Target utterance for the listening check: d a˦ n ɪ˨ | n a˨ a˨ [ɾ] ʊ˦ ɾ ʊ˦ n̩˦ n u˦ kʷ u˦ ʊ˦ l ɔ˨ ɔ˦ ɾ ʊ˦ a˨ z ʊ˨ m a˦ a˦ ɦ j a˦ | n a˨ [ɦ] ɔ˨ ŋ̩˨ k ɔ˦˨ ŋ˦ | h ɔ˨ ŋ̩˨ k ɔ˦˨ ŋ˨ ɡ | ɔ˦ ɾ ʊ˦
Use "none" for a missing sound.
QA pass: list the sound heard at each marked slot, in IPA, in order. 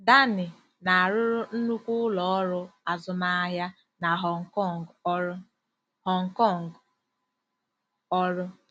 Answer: ɾ, ɦ

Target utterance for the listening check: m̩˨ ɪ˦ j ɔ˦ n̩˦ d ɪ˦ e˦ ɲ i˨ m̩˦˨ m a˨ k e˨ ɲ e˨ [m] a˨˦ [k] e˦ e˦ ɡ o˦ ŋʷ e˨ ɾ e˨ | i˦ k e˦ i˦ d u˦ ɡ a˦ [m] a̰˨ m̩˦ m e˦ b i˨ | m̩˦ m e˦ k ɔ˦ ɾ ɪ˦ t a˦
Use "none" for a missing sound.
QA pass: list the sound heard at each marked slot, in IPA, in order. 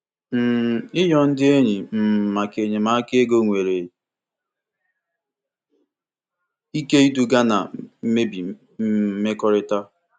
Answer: m, k, n

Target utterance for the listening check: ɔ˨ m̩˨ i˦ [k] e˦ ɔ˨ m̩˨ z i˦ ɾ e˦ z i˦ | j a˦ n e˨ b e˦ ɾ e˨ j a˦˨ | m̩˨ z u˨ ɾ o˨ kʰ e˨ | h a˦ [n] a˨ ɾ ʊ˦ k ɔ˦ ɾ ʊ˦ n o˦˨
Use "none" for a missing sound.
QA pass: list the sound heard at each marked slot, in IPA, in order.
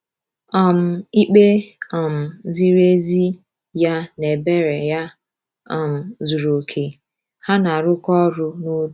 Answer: k͡p, n

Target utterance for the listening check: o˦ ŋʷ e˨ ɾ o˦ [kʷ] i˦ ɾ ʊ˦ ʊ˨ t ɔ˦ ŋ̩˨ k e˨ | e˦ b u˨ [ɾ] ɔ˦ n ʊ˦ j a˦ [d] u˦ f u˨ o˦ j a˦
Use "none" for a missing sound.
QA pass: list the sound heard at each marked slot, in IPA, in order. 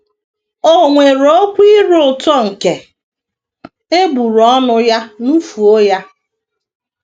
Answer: kʷ, ɾ, n

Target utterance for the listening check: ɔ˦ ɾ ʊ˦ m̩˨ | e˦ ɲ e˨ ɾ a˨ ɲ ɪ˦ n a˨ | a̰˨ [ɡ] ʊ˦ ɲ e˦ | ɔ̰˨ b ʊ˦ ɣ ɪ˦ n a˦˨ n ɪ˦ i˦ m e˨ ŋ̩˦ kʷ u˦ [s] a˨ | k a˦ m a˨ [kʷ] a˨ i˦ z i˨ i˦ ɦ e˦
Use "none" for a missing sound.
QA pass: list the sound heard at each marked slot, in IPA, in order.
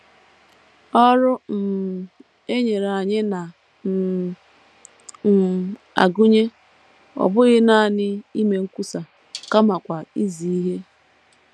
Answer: ɡ, s, kʷ

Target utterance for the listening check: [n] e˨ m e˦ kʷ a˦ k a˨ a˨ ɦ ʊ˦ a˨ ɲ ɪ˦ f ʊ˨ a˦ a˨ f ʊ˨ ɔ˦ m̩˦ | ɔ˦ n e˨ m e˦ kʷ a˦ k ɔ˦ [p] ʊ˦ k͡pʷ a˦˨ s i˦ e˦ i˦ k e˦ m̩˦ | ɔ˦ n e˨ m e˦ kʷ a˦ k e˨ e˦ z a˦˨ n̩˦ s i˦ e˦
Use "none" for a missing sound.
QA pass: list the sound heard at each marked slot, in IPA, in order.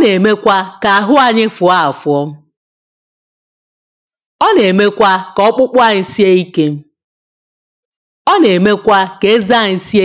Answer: n, k͡p

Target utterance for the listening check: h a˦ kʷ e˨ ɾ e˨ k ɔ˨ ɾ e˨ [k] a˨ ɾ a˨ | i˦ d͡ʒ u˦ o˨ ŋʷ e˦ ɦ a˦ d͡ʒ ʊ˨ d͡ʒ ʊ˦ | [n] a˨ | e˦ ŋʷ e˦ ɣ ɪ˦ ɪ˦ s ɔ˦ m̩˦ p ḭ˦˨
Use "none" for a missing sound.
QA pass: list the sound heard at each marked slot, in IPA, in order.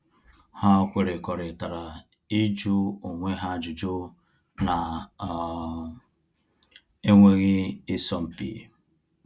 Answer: t, n

